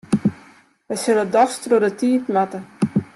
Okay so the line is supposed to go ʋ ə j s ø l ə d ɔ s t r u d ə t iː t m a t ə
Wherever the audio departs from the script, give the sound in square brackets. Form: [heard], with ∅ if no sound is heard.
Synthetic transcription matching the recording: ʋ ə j s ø l ə d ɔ s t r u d ə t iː t m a t ə